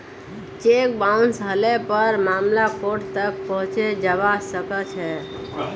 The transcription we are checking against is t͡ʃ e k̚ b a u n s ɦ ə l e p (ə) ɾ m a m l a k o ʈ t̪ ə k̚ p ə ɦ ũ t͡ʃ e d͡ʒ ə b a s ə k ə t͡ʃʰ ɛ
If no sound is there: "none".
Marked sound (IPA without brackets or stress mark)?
ə